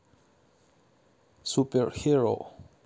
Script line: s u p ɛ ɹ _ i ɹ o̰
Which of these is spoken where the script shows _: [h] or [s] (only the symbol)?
h